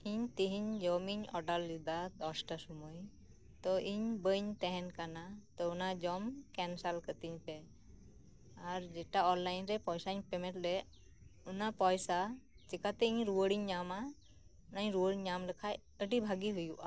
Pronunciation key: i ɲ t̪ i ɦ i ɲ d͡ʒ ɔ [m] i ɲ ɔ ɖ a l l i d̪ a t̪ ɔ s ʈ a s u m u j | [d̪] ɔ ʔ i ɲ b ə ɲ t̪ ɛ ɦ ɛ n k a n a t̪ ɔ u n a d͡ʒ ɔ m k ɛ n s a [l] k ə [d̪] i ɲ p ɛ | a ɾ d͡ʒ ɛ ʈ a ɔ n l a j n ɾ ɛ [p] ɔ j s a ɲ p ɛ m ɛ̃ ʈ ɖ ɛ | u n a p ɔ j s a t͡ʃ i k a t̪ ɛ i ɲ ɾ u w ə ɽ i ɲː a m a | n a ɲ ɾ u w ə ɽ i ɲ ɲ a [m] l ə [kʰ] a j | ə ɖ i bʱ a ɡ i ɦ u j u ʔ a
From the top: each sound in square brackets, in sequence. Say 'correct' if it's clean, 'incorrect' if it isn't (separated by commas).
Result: correct, incorrect, correct, incorrect, correct, correct, correct